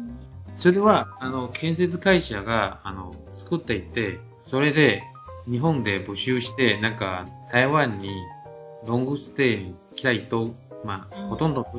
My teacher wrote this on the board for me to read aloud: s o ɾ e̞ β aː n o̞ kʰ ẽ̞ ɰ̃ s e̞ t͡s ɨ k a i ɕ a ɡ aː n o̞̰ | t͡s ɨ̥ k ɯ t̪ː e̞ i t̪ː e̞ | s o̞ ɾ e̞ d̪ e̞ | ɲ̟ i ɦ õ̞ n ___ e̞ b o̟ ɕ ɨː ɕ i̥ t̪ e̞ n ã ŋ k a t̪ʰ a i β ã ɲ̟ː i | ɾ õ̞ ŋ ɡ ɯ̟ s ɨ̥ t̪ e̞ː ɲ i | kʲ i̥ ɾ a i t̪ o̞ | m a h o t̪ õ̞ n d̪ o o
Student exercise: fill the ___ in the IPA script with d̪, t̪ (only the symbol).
d̪